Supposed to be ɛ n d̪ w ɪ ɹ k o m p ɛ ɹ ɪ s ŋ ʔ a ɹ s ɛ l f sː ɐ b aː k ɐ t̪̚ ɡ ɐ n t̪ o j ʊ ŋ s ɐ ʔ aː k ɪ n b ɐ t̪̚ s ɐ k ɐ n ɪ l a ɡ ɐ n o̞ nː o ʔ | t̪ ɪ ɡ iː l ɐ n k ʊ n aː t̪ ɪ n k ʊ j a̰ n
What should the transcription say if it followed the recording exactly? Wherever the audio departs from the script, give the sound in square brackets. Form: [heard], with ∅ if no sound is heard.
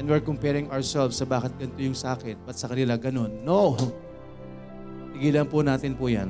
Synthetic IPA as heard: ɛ n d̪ w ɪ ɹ k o m p ɛ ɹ ɪ [∅] ŋ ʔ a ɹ s ɛ l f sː ɐ b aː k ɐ t̪̚ ɡ ɐ n t̪ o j ʊ ŋ s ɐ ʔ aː k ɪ n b ɐ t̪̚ s ɐ k ɐ n ɪ l a ɡ ɐ n o̞ nː o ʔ | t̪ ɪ ɡ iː l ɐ n [p] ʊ n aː t̪ ɪ n [p] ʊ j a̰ n